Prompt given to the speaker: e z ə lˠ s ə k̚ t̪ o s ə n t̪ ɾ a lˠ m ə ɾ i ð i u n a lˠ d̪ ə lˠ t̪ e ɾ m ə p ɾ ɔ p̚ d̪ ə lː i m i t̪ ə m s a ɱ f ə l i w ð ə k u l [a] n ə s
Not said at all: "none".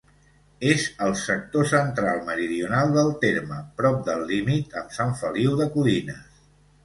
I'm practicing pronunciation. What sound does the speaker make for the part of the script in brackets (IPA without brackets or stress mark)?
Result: i